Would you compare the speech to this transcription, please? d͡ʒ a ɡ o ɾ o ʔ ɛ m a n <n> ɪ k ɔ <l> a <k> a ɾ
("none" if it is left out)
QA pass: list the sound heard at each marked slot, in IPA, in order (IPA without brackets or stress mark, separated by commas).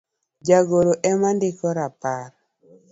d, ɾ, p